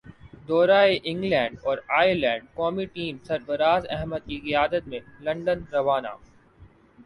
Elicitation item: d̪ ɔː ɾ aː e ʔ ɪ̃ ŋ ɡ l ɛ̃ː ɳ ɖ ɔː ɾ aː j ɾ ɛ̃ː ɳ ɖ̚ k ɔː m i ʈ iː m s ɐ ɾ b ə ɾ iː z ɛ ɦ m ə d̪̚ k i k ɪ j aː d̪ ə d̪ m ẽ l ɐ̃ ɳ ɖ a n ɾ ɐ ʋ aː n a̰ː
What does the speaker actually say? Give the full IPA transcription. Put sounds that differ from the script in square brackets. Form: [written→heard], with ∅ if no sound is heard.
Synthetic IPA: d̪ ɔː ɾ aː e ʔ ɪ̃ ŋ ɡ l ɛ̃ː ɳ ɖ ɔː ɾ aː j [ɾ→l] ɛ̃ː ɳ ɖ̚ k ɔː m i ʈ iː m s ɐ ɾ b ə ɾ [iː→aː] z ɛ ɦ m ə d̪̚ k i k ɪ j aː d̪ ə [d̪→t̪] m ẽ l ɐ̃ ɳ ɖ [a→ə] n ɾ ɐ ʋ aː n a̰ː